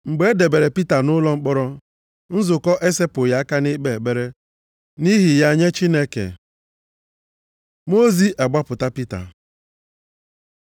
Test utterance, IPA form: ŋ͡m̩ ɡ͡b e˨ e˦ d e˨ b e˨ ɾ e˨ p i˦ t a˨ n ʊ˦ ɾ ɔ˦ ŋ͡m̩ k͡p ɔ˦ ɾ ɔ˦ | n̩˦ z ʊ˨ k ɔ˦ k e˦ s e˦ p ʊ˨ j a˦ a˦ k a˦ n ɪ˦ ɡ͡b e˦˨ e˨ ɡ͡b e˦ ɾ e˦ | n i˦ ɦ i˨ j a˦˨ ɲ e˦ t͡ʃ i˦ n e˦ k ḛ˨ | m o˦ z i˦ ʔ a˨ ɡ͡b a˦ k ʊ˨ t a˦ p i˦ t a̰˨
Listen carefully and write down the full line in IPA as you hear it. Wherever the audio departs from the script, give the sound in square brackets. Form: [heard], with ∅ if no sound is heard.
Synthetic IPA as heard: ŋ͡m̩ ɡ͡b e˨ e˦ d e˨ b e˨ ɾ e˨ p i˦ t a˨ n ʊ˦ [l] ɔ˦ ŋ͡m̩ k͡p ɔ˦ ɾ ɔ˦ | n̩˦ z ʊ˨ k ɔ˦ [ʔ] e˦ s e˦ p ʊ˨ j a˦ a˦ k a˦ n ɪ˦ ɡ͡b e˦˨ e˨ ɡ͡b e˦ ɾ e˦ | n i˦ ɦ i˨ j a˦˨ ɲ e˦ t͡ʃ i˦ n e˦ k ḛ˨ | m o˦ z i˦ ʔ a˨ ɡ͡b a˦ [p] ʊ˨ t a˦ p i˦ t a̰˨